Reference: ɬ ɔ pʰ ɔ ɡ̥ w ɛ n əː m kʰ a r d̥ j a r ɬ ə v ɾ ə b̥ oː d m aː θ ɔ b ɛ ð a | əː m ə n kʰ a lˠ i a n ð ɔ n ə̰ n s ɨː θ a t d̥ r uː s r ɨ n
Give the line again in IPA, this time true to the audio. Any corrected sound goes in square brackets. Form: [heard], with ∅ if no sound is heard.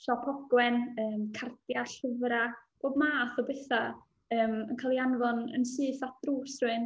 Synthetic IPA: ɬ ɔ pʰ ɔ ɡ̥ w ɛ n əː m kʰ a r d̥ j a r ɬ ə v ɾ [a] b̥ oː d m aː θ ɔ b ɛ [θ] a | əː m ə n kʰ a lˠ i a n [v] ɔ n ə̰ n s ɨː θ a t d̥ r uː s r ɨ n